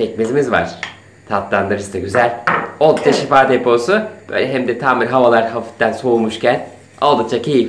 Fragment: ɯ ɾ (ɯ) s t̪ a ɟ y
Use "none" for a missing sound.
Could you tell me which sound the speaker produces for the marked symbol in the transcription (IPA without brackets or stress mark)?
ɯ